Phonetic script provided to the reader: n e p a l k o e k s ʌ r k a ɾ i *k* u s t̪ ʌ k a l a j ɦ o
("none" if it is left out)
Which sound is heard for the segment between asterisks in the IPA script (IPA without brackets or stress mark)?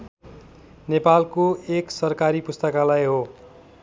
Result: p